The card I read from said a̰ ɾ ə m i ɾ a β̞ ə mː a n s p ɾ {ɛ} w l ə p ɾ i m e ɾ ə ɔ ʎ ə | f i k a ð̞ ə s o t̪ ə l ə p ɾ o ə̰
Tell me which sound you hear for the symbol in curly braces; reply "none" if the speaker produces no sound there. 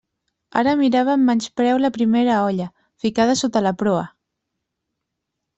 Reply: ɛ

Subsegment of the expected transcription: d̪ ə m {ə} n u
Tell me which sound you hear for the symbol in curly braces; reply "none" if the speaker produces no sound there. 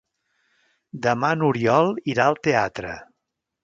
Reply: a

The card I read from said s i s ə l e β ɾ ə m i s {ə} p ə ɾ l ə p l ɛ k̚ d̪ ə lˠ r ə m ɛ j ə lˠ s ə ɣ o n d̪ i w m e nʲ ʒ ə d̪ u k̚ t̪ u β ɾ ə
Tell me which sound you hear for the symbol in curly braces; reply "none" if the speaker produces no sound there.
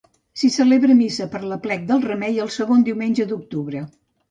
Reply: ə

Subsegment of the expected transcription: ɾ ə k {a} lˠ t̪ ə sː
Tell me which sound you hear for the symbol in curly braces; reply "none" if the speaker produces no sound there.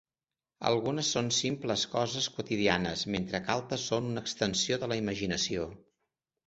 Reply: a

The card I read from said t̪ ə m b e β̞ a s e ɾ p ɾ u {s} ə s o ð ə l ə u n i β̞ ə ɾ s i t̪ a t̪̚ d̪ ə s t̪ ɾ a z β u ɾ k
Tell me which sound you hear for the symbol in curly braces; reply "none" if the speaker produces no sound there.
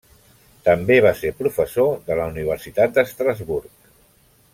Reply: f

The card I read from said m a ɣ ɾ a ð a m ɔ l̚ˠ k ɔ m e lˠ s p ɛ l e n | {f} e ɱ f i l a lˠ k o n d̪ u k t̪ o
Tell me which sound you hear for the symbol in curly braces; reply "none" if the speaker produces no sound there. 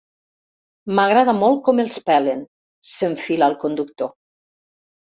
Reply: s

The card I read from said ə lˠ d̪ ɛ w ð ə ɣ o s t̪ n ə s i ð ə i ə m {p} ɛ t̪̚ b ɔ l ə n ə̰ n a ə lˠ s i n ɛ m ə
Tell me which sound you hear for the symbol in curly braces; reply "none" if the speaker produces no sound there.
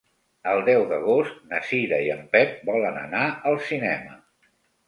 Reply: p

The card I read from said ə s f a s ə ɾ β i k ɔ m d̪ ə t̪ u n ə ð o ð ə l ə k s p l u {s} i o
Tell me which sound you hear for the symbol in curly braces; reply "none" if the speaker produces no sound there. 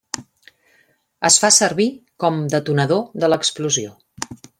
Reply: z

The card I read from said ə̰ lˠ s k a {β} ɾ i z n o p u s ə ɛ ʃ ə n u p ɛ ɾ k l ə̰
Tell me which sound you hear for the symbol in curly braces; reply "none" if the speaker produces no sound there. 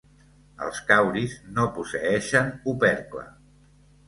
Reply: w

